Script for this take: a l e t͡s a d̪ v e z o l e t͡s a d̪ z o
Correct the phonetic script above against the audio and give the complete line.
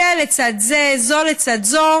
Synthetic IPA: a l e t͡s a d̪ z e z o l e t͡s a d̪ z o